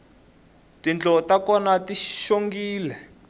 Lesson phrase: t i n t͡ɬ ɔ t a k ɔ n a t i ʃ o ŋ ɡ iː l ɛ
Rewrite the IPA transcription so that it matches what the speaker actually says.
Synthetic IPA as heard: t i n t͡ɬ ɔ t a k ɔ n a t i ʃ o ŋ ɡ iː l ɛ